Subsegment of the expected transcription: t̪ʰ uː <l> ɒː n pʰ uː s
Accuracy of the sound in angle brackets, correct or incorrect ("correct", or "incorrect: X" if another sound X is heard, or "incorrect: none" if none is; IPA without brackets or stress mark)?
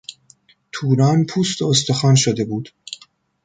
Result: incorrect: ɾ